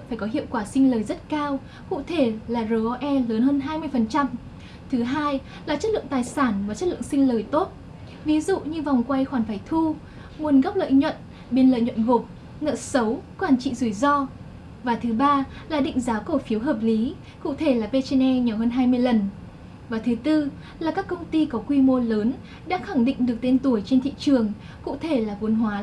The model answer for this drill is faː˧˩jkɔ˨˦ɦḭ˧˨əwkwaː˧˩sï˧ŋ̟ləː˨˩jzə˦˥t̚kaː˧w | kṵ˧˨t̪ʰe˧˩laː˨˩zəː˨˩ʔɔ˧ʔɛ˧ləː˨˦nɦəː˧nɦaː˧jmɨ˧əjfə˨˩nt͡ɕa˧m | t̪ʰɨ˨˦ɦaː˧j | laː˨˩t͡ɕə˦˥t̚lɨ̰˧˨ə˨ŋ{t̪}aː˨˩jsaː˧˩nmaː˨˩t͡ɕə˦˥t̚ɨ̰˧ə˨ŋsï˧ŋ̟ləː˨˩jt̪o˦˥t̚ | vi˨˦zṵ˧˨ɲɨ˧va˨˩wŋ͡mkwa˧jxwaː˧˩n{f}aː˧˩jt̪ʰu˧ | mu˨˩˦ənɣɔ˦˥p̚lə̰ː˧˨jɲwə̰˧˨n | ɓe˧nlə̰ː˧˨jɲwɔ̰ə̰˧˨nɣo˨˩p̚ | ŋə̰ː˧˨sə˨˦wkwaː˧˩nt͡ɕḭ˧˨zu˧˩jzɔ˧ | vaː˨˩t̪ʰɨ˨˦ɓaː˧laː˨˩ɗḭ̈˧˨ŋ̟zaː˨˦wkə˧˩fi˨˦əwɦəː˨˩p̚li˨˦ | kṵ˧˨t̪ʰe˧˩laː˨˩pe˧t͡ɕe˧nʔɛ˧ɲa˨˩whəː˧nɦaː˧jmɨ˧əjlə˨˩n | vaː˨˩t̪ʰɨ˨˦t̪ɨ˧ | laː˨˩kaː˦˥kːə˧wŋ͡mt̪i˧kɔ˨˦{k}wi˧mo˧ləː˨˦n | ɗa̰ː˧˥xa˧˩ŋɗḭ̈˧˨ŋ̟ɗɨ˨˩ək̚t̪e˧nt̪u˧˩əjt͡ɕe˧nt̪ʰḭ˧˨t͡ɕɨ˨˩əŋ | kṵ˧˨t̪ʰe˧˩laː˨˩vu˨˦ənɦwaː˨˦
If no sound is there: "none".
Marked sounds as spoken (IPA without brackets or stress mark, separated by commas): t̪, f, k